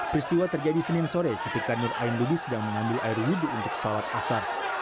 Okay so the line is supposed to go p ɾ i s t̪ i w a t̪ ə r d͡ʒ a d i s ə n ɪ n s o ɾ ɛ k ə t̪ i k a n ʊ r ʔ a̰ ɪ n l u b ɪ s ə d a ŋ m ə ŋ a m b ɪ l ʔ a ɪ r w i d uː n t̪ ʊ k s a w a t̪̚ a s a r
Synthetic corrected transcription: p ɾ i s t̪ i w a t̪ ə r d͡ʒ a d i s ə n ɪ n s o ɾ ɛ k ə t̪ i k a n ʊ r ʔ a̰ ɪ n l u b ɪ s ə d a ŋ m ə ŋ a m b ɪ l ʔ a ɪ r w i d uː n t̪ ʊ k s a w a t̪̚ a s a r